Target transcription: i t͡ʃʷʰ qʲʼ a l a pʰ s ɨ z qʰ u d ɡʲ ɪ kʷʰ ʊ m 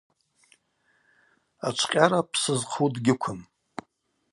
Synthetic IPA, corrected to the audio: a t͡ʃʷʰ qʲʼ a ɾ a pʰ s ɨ z qʰ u d ɡʲ ɪ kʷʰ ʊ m